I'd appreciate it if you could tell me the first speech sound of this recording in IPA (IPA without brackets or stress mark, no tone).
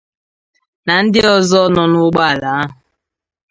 n